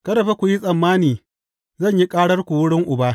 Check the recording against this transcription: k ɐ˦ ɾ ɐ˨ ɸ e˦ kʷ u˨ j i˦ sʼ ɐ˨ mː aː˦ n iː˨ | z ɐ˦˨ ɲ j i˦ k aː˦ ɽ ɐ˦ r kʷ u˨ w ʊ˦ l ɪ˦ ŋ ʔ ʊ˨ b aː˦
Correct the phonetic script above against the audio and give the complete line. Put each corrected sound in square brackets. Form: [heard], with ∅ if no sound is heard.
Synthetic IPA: k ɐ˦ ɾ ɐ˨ ɸ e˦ kʷ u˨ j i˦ sʼ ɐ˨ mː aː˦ n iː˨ | z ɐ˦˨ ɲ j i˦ [kʼ] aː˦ ɽ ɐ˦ r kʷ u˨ w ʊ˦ [ɽ] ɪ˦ ŋ ʔ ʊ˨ b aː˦